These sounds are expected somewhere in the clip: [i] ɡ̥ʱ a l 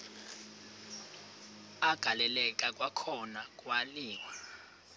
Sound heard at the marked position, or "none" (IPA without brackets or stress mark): a